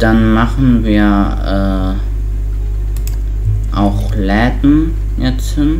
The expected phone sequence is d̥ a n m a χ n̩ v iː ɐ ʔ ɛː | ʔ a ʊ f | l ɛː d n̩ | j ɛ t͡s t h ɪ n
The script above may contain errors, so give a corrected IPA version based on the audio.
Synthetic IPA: d̥ a n m a χ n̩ v iː ɐ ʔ ɛː | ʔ a ʊ x | l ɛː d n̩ | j ɛ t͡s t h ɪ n